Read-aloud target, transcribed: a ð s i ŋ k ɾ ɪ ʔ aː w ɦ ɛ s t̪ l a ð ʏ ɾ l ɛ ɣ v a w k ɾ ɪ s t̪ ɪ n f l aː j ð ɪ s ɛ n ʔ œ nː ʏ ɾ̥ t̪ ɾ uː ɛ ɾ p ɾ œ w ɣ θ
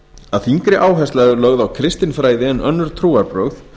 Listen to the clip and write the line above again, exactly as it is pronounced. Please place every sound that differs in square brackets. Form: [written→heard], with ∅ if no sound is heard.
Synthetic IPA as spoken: a ð [s→θ] i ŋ k ɾ ɪ ʔ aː w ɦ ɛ s t̪ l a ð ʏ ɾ l [ɛ→œ] ɣ [v→ð] a w [k→kʰ] ɾ ɪ s t̪ ɪ n f [l→ɾ] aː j ð ɪ [s→∅] ɛ n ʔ œ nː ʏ ɾ̥ [t̪→t̪ʰ] ɾ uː [ɛ→a] ɾ p ɾ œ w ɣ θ

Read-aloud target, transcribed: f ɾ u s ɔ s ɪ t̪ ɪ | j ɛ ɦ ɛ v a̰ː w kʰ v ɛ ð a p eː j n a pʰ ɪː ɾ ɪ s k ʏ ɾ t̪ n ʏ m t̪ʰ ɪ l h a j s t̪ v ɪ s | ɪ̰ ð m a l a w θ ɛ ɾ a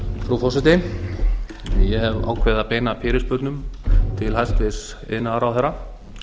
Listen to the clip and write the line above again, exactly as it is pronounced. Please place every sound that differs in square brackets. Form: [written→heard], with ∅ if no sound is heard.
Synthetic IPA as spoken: f ɾ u [s→f] ɔ s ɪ t̪ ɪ | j ɛ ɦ ɛ v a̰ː w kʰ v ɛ ð a p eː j n a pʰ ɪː ɾ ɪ s [k→p] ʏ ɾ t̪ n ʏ m t̪ʰ ɪ l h a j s t̪ v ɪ s | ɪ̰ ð [m→n] a [l→ɾ] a w θ ɛ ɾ a

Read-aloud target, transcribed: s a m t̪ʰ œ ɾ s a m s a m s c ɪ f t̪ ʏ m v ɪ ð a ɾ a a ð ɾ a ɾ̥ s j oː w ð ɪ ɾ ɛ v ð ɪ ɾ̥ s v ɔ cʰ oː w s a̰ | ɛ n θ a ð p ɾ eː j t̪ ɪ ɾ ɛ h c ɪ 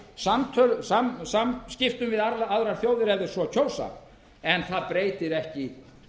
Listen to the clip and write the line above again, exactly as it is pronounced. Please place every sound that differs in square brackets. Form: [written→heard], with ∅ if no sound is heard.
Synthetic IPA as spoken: s a m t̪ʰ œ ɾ s a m s a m s c ɪ f t̪ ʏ m v ɪ ð a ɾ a a ð ɾ a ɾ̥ [s→θ] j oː w ð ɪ ɾ ɛ v ð ɪ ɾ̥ s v ɔ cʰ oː w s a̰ | ɛ n θ a ð p ɾ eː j t̪ ɪ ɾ ɛ h c ɪ

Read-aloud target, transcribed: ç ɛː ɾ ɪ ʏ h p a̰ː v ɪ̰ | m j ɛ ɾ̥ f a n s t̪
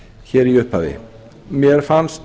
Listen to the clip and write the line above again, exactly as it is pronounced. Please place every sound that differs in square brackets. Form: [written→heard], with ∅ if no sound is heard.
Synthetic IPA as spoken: ç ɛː ɾ [ɪ→i] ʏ h p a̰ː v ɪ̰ | m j ɛ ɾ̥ f a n s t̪

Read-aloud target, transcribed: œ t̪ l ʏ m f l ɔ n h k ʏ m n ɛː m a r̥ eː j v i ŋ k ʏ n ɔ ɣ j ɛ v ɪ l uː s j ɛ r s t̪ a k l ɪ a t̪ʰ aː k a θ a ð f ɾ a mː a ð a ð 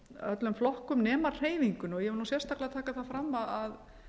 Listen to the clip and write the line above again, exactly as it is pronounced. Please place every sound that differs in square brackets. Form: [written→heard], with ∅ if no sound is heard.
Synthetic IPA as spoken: œ t̪ l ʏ m f l ɔ [n→∅] h k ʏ m n ɛː m a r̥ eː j v i ŋ k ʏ n ɔ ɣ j ɛ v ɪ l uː s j ɛ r s t̪ a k l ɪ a t̪ʰ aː k a θ a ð f ɾ a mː a ð a ð

